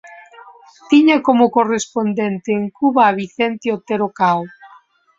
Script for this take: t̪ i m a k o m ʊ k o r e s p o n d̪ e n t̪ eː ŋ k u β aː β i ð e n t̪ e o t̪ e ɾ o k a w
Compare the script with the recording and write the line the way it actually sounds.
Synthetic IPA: t̪ i ɲ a k o m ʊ k o r e s p o n d̪ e n t̪ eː ŋ k u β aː β i θ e n t̪ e o t̪ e ɾ o k a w